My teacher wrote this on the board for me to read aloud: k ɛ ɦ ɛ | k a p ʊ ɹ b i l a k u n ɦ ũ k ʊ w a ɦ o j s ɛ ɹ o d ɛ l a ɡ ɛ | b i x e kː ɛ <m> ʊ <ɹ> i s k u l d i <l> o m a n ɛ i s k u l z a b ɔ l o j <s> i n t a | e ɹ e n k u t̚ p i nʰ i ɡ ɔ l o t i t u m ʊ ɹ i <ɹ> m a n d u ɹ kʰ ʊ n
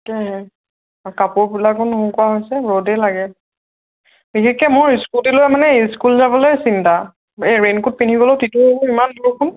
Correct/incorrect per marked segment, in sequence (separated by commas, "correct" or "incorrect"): correct, correct, correct, correct, incorrect